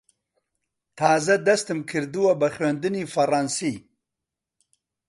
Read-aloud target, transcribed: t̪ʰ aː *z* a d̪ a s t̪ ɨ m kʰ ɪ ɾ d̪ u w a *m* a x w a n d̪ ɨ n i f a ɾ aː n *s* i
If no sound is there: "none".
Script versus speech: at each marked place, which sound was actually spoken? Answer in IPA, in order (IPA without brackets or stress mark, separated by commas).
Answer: z, b, s